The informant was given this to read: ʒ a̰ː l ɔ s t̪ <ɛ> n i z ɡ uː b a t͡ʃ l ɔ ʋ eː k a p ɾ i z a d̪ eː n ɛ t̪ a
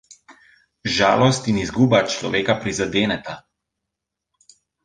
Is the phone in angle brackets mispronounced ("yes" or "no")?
yes